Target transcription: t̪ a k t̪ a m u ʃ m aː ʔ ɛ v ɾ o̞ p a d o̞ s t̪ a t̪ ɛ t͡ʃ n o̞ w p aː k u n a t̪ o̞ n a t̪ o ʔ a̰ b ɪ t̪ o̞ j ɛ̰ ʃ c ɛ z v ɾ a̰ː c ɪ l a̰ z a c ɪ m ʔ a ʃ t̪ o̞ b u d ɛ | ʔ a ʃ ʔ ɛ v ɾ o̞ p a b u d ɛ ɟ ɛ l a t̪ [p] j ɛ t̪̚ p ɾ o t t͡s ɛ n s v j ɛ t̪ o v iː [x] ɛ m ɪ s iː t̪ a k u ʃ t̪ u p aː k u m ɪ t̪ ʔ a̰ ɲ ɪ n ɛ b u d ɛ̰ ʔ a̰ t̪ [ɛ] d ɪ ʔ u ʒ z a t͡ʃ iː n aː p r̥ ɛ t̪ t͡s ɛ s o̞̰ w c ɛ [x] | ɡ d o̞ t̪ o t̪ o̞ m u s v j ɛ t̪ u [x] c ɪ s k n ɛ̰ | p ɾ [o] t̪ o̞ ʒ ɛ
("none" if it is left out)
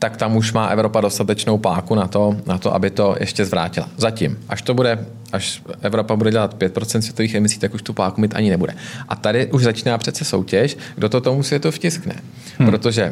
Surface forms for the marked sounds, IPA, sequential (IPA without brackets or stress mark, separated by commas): p, x, a, ʃ, f, o